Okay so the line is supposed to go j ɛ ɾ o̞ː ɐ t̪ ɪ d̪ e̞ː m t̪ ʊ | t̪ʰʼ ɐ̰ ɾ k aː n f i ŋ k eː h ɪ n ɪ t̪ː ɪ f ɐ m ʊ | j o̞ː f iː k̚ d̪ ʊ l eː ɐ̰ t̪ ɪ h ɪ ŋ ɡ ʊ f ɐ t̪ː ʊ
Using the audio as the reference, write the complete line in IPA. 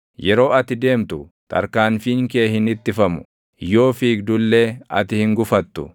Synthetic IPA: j ɛ ɾ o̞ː ɐ t̪ ɪ d̪ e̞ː m t̪ ʊ | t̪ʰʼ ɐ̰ ɾ k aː n f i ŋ k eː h ɪ n ɪ t̪ː ɪ f ɐ m ʊ | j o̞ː f iː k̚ d̪ ʊ lː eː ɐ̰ t̪ ɪ h ɪ ŋ ɡ ʊ f ɐ t̪ː ʊ

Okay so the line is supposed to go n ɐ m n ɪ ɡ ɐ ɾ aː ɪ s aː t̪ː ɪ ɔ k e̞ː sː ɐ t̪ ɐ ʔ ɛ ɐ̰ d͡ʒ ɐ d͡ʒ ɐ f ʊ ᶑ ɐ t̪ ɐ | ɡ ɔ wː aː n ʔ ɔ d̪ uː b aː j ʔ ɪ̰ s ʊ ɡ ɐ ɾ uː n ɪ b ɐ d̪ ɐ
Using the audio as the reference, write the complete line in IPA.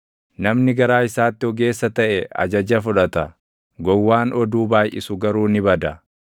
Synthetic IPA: n ɐ m n ɪ ɡ ɐ ɾ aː ɪ s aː t̪ː ɪ ɔ ɡ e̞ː sː ɐ t̪ ɐ ʔ ɛ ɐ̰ d͡ʒ ɐ d͡ʒ ɐ f ʊ ᶑ ɐ t̪ ɐ | ɡ ɔ wː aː n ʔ ɔ d̪ uː b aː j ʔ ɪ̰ s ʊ ɡ ɐ ɾ uː n ɪ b ɐ d̪ ɐ

